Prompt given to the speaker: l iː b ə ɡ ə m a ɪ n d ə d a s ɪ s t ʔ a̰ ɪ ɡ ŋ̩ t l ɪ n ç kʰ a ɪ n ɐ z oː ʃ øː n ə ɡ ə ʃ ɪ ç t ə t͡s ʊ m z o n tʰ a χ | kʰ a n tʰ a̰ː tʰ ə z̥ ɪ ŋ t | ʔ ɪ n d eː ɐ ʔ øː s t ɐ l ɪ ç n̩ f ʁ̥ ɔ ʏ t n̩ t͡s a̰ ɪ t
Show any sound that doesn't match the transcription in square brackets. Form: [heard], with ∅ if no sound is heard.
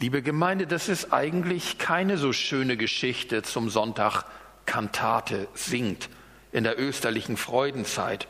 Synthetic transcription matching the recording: l iː b ə ɡ ə m a ɪ n d ə d a s ɪ s t ʔ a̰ ɪ ɡ ŋ̩ t l ɪ [∅] ç kʰ a ɪ n [ə] z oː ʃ øː n ə ɡ ə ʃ ɪ ç t ə t͡s ʊ m z [ɔ] n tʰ a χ | kʰ a n tʰ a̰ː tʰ ə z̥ ɪ ŋ t | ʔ ɪ n d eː ɐ ʔ øː s t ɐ l ɪ ç n̩ f ʁ̥ ɔ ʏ [d] n̩ t͡s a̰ ɪ t